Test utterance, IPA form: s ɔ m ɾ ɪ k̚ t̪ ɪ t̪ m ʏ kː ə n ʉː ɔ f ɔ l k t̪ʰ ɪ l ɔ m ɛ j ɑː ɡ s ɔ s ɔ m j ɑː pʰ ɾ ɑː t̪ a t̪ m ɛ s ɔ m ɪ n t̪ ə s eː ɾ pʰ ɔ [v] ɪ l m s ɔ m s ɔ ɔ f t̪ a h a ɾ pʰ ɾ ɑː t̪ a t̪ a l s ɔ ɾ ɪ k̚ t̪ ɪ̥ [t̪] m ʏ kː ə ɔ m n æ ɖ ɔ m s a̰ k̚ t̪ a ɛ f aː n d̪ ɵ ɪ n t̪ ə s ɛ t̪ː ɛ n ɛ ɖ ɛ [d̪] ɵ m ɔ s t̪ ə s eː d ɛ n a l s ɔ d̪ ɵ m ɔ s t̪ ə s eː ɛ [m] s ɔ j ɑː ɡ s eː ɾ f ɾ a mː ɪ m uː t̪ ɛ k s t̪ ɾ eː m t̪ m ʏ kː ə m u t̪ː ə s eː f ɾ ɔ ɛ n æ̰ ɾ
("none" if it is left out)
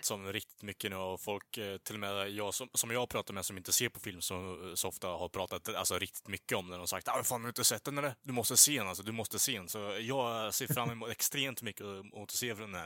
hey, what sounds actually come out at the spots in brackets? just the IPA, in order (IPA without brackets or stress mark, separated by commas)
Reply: f, t̪, d̪, n